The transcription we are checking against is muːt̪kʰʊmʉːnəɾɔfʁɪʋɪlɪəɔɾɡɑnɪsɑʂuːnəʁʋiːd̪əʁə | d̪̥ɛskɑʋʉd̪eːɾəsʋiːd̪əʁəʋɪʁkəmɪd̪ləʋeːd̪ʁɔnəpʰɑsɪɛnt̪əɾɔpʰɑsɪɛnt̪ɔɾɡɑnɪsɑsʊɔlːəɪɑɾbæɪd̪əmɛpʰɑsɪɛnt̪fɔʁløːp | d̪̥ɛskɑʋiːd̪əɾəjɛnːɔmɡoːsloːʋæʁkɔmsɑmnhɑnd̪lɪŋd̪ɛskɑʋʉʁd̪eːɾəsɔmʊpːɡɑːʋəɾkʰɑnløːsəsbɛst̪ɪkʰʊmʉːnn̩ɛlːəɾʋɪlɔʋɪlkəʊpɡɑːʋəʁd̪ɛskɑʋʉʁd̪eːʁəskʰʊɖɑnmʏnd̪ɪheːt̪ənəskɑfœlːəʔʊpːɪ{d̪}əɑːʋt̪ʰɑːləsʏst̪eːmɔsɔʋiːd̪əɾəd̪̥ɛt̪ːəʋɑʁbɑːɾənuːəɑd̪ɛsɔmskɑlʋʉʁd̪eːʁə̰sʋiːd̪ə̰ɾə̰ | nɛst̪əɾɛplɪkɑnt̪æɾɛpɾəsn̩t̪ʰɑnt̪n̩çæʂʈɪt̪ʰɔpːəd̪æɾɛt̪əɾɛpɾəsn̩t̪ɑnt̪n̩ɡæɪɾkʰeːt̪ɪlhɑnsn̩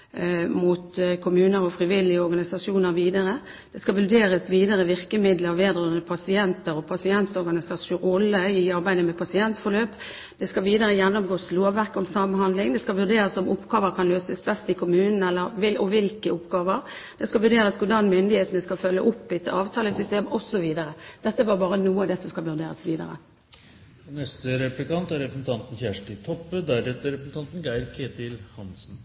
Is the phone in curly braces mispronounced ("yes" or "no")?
yes